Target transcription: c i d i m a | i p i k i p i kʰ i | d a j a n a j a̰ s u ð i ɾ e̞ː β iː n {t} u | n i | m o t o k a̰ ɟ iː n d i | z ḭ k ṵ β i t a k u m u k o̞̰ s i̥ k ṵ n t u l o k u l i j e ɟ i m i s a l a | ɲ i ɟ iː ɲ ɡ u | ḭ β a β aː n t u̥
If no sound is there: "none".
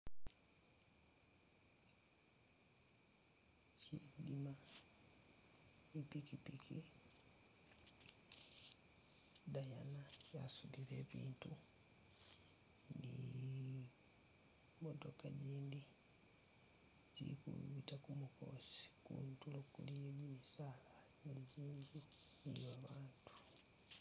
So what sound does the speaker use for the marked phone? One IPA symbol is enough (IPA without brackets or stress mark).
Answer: t